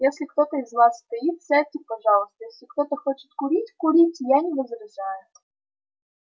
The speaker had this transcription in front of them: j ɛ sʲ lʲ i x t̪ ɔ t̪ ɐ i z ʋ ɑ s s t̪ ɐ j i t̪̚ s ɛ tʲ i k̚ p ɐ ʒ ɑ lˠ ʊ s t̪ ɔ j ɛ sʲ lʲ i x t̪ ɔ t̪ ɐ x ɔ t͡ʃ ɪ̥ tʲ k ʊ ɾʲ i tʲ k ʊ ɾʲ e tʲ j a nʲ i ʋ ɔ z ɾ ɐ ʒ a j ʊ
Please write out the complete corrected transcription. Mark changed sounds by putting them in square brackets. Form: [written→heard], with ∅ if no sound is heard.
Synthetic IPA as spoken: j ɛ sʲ lʲ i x t̪ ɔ t̪ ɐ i z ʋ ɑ s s t̪ ɐ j i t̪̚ s ɛ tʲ i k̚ p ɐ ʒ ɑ lˠ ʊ s t̪ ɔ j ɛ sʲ lʲ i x t̪ ɔ t̪ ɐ x ɔ t͡ʃ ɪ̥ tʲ k ʊ ɾʲ i tʲ k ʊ ɾʲ [e→i] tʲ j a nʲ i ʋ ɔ z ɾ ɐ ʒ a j ʊ